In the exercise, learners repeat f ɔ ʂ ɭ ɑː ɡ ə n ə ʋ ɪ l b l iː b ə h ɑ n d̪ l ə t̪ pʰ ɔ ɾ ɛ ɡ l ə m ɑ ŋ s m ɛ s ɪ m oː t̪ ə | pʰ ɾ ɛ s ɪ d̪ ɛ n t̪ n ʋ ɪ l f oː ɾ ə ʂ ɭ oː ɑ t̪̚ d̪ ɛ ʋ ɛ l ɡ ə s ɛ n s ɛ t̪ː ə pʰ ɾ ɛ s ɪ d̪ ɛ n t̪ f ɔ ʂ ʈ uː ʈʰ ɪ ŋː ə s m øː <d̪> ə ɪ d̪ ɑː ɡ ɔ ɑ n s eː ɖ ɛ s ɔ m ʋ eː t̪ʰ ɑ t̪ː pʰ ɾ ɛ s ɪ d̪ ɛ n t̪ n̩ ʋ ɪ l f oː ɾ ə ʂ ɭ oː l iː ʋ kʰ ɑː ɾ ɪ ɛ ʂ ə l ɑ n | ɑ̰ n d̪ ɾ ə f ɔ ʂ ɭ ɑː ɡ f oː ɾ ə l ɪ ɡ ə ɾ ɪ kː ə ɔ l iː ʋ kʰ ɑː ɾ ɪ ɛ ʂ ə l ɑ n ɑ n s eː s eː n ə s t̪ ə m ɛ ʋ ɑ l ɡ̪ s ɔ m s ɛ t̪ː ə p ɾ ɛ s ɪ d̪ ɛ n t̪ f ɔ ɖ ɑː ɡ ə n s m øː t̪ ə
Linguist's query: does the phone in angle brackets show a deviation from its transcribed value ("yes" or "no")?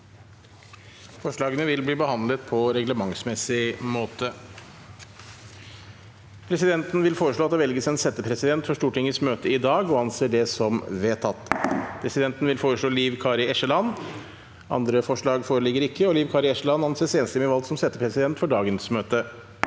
yes